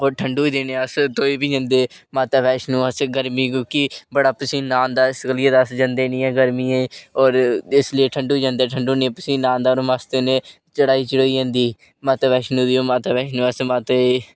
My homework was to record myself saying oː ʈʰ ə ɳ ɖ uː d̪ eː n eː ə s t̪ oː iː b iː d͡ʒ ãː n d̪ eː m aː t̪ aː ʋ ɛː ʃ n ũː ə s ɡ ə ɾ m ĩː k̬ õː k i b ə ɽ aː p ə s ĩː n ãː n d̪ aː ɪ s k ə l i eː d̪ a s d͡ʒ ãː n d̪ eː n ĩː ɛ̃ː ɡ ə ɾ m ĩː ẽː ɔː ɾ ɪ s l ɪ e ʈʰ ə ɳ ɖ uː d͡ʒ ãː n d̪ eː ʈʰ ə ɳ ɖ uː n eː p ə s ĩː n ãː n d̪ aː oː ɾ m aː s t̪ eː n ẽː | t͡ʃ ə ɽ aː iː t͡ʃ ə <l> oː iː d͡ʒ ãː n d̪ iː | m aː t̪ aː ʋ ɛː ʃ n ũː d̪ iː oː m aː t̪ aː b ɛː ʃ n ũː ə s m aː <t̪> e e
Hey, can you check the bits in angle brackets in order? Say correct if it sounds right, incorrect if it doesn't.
incorrect, correct

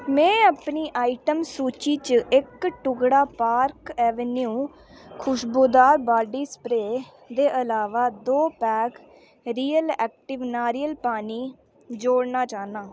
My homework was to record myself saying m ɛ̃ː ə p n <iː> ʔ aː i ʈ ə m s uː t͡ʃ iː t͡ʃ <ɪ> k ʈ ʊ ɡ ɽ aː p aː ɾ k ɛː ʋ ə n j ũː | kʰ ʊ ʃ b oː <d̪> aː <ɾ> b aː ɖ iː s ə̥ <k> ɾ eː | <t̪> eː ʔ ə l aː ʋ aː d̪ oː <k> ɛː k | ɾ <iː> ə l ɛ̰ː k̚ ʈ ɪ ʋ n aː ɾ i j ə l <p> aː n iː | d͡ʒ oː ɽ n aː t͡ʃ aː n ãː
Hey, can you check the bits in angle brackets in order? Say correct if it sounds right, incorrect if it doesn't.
correct, correct, correct, correct, incorrect, incorrect, incorrect, correct, correct

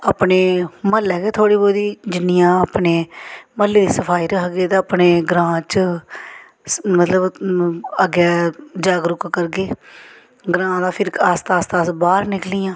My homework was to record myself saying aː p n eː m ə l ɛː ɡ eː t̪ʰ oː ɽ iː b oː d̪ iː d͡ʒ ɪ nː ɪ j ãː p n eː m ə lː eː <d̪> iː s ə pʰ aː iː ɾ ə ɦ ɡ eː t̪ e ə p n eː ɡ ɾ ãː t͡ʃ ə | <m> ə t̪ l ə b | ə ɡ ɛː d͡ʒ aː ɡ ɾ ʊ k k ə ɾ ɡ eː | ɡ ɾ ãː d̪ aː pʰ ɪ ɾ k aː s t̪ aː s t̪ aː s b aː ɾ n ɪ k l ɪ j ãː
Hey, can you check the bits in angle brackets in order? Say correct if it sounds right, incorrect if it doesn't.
correct, correct

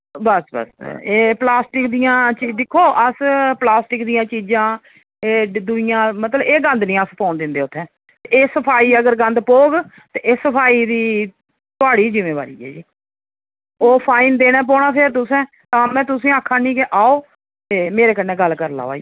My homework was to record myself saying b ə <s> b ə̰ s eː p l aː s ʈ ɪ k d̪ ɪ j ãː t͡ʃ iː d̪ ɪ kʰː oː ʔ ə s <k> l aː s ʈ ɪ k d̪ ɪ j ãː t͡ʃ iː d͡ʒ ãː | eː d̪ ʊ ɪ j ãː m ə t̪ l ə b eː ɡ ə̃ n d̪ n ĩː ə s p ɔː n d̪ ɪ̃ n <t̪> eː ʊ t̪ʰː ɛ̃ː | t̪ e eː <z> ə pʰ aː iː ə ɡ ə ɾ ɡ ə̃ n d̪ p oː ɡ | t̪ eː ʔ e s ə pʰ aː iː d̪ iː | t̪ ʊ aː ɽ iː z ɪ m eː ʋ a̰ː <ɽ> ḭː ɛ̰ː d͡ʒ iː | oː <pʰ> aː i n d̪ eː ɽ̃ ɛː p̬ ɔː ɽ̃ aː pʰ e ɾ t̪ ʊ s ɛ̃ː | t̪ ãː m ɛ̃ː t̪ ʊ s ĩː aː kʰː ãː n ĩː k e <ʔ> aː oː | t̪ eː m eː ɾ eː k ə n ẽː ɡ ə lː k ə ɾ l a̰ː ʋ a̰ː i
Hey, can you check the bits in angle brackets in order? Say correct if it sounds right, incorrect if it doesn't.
correct, incorrect, incorrect, incorrect, incorrect, correct, correct

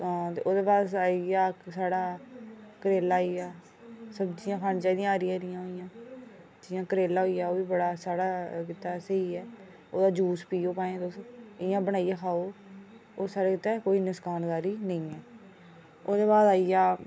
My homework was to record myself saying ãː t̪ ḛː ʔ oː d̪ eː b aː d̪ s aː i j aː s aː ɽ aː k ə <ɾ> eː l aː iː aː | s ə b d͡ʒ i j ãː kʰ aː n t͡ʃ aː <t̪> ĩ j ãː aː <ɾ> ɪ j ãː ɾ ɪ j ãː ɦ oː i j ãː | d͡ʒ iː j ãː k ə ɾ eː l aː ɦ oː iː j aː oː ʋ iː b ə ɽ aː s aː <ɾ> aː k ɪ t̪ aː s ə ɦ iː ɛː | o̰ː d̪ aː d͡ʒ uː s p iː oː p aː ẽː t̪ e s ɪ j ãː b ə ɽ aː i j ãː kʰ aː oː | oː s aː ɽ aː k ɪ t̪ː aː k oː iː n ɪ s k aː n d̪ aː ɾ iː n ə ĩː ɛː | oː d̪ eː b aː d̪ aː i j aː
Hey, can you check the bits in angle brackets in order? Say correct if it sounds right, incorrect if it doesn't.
correct, incorrect, correct, incorrect

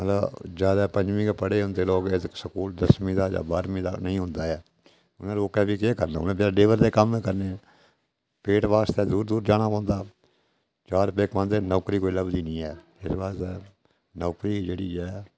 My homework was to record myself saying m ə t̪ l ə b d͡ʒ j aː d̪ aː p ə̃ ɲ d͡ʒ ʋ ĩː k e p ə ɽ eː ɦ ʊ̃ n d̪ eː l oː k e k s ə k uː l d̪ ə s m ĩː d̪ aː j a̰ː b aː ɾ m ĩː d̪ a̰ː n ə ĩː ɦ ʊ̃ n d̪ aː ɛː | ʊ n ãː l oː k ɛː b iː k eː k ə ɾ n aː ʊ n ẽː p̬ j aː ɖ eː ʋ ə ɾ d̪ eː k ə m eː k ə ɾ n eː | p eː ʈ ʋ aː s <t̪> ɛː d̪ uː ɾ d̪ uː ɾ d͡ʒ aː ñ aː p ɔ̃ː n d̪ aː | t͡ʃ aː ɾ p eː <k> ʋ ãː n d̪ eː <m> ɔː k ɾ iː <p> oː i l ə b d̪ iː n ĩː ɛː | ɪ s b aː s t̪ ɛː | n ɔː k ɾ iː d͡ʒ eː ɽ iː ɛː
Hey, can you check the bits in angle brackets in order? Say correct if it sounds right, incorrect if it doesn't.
correct, correct, incorrect, incorrect

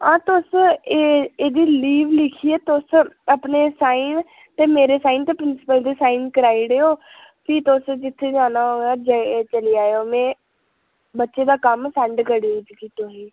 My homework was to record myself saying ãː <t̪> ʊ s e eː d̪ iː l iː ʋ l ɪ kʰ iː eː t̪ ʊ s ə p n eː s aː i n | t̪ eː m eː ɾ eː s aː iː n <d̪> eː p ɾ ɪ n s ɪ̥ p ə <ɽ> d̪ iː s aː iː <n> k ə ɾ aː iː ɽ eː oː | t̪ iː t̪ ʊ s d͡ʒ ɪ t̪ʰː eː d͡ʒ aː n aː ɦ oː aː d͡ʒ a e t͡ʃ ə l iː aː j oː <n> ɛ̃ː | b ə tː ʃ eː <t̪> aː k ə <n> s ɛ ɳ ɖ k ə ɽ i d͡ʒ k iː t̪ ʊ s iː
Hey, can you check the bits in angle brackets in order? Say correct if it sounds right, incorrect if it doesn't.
correct, incorrect, incorrect, correct, incorrect, incorrect, incorrect

